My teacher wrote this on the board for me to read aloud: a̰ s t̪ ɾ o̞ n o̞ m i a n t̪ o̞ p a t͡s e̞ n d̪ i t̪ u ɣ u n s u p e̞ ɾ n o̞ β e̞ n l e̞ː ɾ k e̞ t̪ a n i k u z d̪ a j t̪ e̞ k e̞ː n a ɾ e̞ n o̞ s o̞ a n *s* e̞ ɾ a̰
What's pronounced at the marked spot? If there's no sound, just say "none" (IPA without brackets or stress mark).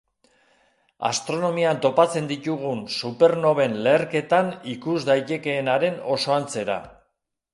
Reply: t͡s